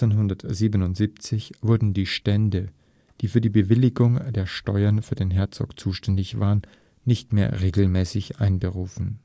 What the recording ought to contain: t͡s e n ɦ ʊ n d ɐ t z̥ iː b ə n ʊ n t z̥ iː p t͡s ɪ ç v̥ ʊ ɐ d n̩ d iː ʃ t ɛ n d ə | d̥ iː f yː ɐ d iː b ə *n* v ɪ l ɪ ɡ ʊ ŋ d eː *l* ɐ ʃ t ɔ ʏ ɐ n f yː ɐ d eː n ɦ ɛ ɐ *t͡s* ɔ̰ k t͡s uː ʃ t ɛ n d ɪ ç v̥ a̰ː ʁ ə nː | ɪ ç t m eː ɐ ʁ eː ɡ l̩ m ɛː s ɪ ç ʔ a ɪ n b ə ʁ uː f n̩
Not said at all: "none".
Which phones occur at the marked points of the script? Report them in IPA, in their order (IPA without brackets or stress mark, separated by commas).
none, none, t͡s